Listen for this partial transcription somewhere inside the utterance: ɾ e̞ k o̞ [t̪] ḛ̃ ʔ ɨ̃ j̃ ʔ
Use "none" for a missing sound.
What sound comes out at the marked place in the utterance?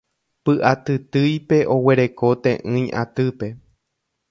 t̪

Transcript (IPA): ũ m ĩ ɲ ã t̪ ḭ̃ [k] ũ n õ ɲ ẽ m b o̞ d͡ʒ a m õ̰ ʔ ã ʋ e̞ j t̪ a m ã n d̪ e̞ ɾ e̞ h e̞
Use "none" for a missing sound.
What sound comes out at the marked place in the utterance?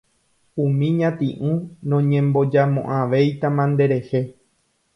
ʔ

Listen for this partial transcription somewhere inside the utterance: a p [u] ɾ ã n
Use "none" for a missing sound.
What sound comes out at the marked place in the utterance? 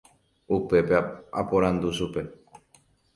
o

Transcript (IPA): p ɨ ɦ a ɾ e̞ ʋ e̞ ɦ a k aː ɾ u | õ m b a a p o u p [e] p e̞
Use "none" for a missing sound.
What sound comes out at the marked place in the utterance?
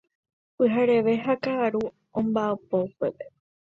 e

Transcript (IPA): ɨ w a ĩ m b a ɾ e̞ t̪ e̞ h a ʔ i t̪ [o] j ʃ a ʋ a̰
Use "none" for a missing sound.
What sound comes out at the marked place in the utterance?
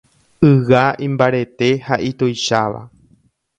o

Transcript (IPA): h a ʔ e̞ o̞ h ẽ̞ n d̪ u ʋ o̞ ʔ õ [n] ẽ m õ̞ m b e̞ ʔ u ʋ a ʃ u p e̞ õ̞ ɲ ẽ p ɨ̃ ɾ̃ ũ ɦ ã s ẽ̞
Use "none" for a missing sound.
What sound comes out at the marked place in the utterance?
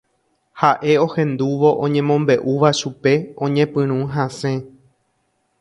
ɲ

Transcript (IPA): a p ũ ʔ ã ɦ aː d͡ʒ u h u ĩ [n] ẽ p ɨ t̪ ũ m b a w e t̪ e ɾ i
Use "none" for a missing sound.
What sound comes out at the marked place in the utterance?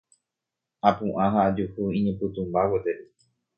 ɲ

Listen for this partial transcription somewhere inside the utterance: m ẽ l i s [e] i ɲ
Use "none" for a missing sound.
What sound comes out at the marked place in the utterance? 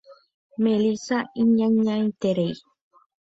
a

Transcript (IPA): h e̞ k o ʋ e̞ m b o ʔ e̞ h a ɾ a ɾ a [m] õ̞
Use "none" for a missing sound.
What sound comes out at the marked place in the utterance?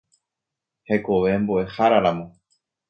m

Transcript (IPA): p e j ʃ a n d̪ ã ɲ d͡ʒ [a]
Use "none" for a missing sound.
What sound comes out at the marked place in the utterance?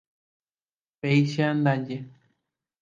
e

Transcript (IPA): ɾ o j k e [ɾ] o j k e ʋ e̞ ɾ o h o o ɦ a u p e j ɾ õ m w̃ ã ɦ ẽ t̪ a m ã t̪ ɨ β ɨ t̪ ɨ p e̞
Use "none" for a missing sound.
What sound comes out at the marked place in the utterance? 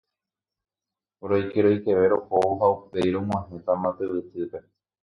ɾ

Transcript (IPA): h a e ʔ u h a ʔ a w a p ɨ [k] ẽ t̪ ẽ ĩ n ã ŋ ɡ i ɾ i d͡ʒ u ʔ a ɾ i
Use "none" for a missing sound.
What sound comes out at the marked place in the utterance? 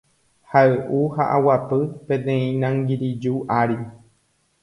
p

